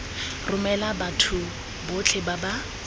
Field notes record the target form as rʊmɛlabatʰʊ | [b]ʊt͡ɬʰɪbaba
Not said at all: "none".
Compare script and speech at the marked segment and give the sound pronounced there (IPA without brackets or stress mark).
b